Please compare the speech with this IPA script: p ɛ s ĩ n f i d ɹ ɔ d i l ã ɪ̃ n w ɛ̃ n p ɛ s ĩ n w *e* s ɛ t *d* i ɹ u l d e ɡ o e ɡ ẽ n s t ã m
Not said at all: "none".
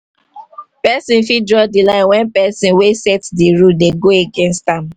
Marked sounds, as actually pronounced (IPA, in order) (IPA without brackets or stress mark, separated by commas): e, d